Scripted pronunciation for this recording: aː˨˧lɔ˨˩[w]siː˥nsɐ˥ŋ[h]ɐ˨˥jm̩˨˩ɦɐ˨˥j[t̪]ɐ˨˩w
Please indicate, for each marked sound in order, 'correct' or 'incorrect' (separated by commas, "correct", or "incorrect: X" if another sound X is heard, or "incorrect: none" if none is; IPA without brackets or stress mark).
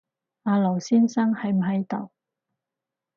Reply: correct, correct, correct